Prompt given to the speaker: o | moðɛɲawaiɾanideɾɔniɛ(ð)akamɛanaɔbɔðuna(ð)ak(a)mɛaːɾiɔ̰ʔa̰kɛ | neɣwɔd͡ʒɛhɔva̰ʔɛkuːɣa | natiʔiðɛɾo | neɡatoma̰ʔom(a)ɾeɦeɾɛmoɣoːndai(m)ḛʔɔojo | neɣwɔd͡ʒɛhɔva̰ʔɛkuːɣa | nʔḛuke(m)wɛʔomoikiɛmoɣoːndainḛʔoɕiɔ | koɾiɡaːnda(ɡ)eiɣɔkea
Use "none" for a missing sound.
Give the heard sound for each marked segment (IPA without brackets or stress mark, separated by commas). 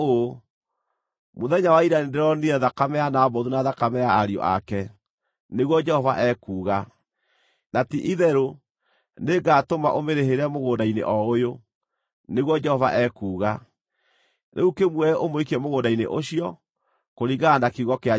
ð, ð, a, e, n, m, k